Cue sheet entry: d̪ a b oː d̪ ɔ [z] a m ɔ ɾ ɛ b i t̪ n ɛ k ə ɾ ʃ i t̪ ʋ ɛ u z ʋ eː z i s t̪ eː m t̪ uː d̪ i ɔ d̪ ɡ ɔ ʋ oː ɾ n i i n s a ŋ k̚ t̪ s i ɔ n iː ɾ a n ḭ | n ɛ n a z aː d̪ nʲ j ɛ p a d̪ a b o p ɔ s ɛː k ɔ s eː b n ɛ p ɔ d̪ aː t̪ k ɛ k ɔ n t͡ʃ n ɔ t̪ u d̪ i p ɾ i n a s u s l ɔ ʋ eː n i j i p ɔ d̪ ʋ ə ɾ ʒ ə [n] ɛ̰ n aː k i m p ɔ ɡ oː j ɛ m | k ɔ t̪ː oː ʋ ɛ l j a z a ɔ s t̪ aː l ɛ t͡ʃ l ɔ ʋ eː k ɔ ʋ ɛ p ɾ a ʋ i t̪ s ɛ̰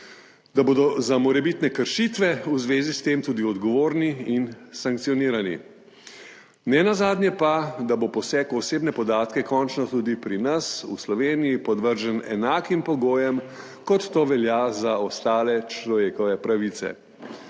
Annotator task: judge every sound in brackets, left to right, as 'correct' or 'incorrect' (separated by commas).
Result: correct, correct